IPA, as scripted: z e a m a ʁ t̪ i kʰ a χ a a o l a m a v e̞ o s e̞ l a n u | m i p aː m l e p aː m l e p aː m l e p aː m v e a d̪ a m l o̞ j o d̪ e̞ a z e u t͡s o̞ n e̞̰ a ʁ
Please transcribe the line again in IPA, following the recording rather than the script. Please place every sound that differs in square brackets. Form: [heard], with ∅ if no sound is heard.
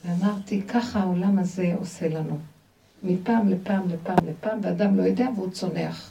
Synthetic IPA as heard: [v] e a m a ʁ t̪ i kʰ a χ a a o l a m a [z] e̞ o s e̞ l a n u | m i p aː m l e p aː m l e p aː m l e p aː m v e a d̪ a m l o̞ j o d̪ e̞ a [v] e u t͡s o̞ n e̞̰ a [χ]